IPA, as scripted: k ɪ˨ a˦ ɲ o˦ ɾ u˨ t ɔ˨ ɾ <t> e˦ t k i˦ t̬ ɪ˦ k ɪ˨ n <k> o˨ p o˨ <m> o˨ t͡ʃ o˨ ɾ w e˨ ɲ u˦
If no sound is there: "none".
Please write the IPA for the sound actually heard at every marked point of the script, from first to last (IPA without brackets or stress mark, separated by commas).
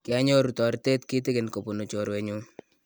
t, k, n